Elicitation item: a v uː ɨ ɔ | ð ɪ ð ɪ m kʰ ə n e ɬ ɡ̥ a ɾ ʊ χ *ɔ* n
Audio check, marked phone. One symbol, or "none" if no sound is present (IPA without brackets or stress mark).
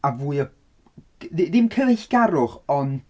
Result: ɔ